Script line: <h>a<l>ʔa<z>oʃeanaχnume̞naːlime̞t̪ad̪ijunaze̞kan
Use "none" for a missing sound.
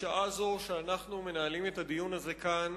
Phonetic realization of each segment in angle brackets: ʃ, none, z

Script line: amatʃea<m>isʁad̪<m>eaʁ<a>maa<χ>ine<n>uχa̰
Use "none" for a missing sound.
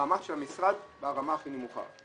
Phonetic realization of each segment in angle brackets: m, b, a, χ, m

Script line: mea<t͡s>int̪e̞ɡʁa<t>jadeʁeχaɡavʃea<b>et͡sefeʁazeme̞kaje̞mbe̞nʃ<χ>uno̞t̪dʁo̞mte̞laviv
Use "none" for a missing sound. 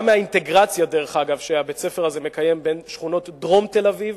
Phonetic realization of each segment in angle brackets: none, t͡s, b, χ

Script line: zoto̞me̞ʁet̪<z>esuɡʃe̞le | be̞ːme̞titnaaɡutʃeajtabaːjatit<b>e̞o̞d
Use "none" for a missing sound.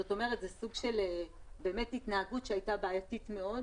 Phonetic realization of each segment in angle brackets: z, m

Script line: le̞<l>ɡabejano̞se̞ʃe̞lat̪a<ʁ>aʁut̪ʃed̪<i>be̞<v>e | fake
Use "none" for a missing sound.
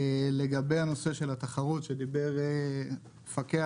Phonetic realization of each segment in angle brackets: none, χ, i, ʁ

